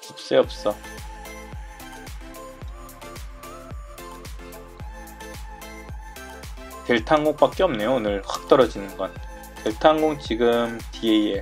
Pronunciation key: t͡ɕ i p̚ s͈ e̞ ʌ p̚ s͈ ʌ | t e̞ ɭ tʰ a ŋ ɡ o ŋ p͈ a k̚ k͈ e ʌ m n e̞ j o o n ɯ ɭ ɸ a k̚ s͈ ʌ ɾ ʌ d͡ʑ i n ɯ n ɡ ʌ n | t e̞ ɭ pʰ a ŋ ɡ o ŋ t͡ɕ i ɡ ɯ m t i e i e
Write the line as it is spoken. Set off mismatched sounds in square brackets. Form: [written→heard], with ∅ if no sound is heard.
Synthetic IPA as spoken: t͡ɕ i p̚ s͈ e̞ ʌ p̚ s͈ ʌ | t e̞ ɭ tʰ a ŋ ɡ o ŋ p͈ a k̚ k͈ e ʌ m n e̞ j o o n ɯ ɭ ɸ a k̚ [s͈→t͈] ʌ ɾ ʌ d͡ʑ i n ɯ n ɡ ʌ n | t e̞ ɭ [pʰ→tʰ] a ŋ ɡ o ŋ t͡ɕ i ɡ ɯ m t i e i e